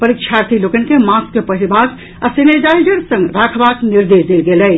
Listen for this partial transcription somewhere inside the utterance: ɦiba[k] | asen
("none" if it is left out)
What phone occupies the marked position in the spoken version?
k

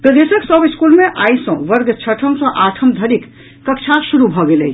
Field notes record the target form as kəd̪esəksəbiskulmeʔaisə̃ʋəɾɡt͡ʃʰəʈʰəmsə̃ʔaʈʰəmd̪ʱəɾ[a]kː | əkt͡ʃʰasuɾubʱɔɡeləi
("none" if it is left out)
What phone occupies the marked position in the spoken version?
i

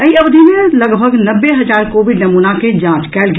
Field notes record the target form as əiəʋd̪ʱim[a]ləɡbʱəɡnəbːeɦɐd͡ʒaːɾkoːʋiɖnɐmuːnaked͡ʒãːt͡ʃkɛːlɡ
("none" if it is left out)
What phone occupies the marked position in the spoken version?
e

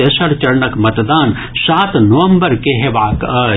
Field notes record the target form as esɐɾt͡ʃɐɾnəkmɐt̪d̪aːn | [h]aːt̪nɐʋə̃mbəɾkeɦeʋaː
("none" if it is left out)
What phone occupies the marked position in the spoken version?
s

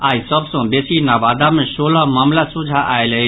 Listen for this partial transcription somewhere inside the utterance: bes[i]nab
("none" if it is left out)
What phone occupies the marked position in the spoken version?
i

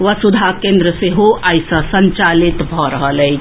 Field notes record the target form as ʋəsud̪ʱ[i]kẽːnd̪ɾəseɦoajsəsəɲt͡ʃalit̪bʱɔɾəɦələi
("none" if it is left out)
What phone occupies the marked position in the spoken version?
a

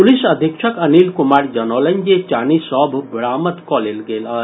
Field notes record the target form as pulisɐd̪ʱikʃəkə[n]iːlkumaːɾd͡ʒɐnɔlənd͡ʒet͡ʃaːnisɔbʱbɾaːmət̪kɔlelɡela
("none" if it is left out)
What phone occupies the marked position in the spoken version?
n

